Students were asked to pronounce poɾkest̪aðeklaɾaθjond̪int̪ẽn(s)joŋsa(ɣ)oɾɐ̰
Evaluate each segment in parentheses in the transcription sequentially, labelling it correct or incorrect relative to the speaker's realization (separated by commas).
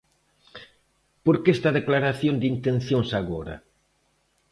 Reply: incorrect, correct